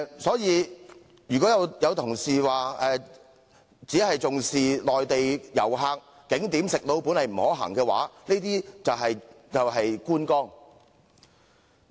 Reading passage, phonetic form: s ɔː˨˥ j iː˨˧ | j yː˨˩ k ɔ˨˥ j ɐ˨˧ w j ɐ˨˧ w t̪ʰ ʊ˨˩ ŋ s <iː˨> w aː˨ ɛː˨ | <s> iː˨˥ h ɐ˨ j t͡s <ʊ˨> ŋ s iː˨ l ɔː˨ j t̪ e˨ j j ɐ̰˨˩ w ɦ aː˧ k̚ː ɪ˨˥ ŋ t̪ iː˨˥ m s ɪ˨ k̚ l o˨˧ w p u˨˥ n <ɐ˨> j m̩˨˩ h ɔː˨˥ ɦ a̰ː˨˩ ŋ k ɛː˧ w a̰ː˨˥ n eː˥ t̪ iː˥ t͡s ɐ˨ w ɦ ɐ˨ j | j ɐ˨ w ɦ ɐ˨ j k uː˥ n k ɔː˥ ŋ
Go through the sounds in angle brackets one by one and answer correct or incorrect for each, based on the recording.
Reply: correct, incorrect, correct, correct

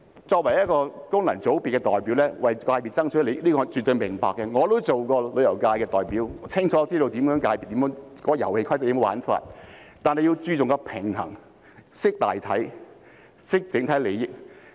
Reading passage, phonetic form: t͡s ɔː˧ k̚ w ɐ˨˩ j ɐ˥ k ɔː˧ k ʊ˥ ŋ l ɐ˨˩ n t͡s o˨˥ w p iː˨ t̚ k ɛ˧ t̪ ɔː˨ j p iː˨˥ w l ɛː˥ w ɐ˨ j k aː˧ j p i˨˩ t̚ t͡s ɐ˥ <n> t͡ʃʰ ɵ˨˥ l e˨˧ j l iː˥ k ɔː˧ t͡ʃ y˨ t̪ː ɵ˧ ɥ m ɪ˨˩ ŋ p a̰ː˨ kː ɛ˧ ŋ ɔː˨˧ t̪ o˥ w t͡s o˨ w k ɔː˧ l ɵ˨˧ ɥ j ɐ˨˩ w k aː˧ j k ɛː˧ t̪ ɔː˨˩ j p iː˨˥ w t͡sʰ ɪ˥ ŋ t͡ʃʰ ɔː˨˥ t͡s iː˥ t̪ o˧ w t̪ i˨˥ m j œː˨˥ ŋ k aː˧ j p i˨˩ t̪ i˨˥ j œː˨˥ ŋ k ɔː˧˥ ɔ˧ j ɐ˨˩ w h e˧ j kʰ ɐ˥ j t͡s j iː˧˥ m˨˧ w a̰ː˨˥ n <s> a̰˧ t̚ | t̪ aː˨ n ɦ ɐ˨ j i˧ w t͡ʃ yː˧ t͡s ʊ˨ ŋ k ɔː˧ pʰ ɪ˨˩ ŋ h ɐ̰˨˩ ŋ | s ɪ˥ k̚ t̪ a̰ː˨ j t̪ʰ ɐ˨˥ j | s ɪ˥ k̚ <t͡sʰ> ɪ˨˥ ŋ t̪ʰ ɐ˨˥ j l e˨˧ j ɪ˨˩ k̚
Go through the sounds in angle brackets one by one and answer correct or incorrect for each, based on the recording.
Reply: incorrect, incorrect, incorrect

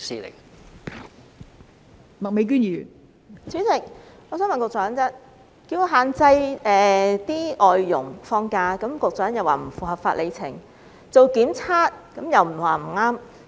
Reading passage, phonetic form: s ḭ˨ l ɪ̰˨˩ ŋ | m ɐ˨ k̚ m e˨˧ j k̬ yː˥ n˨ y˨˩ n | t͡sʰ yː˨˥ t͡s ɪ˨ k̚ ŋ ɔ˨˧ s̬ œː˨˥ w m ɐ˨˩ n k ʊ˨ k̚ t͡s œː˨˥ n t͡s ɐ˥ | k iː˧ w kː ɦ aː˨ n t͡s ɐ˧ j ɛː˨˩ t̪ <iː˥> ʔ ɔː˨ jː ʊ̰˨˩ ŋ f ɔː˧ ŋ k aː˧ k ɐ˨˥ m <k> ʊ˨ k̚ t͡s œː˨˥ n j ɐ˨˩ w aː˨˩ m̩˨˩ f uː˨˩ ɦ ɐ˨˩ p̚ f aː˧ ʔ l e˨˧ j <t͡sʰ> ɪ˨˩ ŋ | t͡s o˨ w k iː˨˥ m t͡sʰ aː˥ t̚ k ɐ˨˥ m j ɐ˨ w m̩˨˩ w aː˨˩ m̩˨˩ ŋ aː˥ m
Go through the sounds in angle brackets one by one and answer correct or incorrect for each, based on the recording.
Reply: correct, correct, correct

